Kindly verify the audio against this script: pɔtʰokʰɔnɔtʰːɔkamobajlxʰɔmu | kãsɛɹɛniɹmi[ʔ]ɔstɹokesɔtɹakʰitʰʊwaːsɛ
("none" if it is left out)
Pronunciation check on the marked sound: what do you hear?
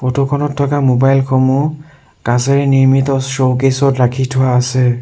t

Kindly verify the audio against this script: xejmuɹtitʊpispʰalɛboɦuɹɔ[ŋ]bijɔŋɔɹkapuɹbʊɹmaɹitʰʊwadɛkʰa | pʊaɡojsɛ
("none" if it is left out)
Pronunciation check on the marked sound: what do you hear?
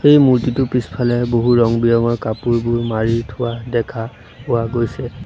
ŋ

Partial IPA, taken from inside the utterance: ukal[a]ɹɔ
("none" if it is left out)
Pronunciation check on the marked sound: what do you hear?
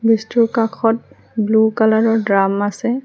a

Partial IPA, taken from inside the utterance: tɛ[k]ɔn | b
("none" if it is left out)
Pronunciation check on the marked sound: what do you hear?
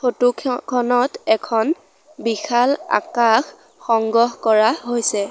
kʰ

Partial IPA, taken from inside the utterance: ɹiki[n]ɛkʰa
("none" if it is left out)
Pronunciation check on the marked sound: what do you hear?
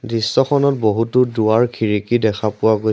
d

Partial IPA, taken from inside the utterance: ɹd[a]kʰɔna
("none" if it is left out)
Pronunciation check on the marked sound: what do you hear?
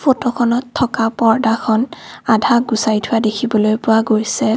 a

